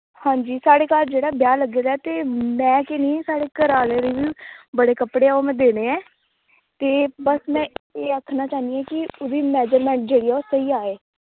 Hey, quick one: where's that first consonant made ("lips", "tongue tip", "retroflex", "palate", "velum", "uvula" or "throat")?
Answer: throat